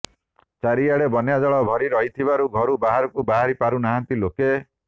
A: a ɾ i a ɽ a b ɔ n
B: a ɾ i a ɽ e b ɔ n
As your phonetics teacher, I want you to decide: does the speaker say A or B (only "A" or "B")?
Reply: B